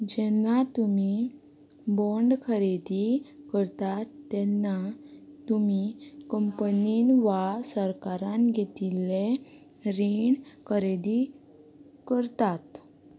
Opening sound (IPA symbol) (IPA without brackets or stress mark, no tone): d͡ʑ